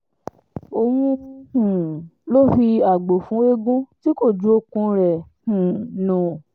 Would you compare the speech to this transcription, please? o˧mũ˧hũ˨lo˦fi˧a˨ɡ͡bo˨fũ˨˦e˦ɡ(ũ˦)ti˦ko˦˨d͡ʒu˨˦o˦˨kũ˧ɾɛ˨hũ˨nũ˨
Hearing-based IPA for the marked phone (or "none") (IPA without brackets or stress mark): ũ˦